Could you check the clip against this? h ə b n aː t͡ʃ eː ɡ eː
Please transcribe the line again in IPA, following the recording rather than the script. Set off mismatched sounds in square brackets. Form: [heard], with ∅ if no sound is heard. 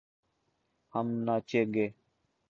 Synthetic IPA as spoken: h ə [m] n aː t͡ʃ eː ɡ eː